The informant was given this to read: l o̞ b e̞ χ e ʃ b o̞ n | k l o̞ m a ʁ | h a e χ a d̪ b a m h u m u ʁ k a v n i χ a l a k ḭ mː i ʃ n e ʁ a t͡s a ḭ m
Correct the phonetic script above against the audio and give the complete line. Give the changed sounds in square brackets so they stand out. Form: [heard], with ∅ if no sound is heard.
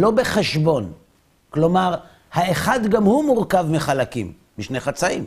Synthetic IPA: l o̞ b e̞ χ e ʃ b o̞ n | k l o̞ m a ʁ | h a e χ a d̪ [ɡ] a m h u m u ʁ k a v [m] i χ a l a k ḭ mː i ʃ n e [χ] a t͡s a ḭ m